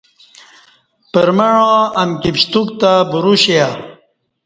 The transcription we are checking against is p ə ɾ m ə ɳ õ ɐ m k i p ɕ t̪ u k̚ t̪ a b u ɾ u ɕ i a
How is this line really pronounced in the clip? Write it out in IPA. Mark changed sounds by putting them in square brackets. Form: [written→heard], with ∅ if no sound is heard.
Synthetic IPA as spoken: p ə ɾ m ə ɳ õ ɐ m k i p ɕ t̪ u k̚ t̪ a b u ɾ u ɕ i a